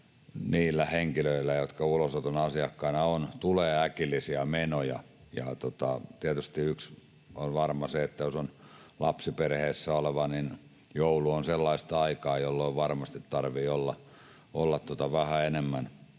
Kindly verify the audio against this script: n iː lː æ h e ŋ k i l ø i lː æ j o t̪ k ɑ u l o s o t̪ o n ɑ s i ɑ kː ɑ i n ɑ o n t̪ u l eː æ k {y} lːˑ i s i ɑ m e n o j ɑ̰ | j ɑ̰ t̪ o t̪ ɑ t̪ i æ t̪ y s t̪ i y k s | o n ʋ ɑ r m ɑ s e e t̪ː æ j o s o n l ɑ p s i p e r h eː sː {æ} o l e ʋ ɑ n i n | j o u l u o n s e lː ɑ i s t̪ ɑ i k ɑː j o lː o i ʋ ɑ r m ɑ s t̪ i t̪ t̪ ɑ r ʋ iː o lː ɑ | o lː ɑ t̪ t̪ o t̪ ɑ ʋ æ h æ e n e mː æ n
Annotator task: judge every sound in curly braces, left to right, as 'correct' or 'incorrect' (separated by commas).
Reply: incorrect, correct